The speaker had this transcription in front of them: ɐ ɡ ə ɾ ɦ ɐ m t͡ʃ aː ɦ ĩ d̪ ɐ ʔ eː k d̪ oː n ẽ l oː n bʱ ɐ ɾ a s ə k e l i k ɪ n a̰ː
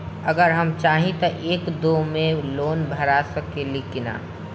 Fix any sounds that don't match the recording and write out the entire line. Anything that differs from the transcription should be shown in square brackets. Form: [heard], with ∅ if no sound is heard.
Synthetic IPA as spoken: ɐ ɡ ə ɾ ɦ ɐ m t͡ʃ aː ɦ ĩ [t̪] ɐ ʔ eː k d̪ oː [m] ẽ l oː n bʱ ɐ ɾ a s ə k e l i k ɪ n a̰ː